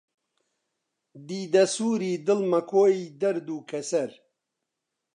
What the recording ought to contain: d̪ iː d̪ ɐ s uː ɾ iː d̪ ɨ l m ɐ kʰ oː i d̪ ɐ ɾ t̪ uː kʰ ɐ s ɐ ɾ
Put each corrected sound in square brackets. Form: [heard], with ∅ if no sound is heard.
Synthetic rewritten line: d̪ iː d̪ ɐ s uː ɾ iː d̪ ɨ l m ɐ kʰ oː i d̪ ɐ ɾ [d̪] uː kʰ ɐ s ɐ ɾ